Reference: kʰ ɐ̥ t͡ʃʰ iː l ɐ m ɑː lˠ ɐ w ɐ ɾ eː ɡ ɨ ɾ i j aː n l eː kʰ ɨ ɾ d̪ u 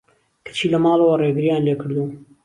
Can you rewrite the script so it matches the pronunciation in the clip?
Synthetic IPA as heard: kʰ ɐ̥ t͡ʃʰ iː l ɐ m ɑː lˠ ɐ w ɐ r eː ɡ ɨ ɾ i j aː n l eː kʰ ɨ ɾ d̪ u